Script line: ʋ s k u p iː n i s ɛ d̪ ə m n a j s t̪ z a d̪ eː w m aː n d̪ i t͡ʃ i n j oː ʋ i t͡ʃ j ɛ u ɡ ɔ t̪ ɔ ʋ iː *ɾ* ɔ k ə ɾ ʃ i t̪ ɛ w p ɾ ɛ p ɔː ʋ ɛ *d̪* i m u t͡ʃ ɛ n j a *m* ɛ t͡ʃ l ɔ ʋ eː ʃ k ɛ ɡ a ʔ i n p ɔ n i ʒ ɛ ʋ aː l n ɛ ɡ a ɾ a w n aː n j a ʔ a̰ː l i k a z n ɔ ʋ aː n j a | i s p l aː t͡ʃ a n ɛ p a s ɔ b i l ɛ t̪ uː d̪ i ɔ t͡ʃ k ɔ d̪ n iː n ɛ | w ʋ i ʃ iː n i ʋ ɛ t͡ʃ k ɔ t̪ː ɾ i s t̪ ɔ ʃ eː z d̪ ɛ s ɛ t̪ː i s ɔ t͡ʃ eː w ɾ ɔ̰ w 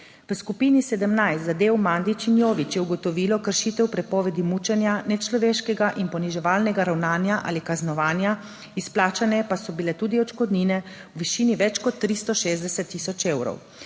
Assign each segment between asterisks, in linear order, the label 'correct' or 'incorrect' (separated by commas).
incorrect, correct, incorrect